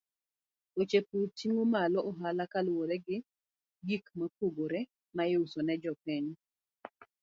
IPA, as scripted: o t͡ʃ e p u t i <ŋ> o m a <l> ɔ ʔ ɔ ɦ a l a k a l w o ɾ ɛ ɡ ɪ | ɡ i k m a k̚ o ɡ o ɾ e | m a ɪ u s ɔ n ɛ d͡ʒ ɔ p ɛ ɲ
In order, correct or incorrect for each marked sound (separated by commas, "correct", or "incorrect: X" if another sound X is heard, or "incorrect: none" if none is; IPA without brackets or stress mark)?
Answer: correct, correct